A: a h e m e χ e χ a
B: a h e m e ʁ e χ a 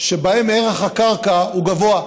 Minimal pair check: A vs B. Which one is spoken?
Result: B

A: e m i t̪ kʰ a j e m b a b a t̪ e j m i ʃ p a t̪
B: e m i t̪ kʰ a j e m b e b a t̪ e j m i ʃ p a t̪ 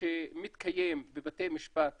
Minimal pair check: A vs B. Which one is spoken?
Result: B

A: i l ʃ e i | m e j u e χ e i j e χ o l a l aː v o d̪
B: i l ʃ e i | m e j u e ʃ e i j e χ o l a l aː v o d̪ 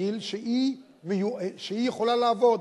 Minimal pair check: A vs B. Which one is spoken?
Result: B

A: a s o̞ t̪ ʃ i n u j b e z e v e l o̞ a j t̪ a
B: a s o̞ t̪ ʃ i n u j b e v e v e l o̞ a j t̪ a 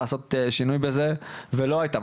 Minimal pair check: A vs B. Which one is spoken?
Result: A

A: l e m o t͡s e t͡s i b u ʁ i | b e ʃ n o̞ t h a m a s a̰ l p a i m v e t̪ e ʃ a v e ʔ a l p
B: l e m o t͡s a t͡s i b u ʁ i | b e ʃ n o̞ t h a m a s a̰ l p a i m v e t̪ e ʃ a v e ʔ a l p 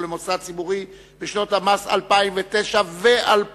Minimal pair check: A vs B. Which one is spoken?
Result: B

